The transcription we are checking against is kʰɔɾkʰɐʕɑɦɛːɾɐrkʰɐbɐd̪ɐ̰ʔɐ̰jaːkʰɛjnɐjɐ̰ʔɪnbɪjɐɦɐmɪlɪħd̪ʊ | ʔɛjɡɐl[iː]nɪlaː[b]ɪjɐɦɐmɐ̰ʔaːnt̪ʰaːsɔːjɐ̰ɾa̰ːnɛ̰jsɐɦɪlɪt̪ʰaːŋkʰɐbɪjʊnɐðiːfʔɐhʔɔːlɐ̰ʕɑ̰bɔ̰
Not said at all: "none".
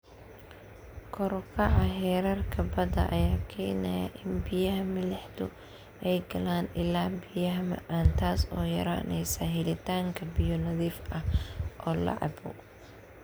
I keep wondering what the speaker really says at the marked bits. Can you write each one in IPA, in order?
aː, b

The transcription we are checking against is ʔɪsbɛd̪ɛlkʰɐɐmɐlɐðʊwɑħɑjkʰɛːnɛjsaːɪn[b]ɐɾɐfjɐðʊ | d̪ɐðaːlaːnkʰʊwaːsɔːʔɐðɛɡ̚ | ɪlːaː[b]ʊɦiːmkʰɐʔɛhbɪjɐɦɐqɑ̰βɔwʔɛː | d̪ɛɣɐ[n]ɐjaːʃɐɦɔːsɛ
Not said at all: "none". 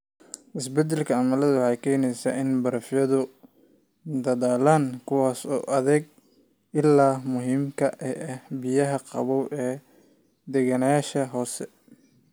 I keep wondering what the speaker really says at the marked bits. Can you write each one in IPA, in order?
b, m, n

